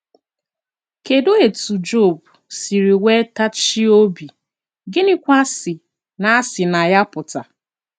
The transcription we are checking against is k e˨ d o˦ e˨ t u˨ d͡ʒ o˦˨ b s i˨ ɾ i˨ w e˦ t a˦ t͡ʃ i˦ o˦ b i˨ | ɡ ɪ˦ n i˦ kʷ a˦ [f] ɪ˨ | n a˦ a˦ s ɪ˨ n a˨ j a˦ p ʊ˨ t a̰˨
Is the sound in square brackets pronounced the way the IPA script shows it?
no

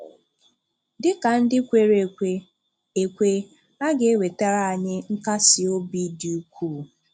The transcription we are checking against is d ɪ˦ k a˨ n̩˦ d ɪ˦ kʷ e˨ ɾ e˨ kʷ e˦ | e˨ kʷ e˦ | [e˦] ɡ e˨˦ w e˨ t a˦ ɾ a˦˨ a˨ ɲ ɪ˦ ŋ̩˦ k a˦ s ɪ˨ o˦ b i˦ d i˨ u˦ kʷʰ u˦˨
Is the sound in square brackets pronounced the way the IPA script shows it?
no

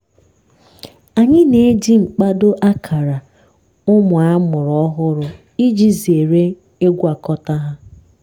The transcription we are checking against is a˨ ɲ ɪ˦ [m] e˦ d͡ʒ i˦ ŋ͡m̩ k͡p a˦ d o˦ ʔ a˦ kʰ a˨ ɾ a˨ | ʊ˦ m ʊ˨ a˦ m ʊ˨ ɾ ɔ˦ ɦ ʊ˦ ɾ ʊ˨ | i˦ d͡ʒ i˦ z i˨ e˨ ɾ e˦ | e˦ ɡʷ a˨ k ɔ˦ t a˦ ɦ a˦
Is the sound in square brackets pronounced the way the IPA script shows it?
no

